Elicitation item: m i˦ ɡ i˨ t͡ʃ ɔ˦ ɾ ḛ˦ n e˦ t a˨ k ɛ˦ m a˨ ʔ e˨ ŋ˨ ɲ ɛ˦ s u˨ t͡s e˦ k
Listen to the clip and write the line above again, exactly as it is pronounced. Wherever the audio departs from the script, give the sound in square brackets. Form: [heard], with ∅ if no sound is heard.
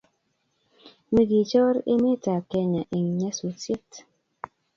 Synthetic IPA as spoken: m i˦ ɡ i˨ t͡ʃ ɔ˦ ɾ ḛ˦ [m] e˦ t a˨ k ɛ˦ [ɲ] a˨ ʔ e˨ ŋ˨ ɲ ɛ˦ s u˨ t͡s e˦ [t]